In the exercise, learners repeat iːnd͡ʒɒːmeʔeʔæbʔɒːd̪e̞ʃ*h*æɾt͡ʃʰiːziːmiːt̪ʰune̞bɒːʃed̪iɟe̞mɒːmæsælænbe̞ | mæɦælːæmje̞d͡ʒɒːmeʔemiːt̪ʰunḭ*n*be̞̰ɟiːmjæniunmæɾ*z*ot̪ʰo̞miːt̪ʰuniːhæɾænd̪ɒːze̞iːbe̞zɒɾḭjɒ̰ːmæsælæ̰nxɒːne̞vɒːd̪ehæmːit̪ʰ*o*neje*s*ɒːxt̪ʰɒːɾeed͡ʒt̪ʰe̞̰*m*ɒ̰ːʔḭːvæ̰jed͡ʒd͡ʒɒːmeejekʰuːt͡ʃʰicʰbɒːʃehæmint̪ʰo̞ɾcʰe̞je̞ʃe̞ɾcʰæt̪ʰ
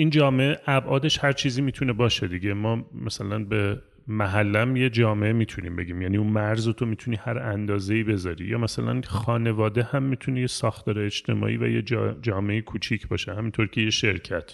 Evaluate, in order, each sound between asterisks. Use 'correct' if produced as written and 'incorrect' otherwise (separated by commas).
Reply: correct, incorrect, correct, incorrect, correct, correct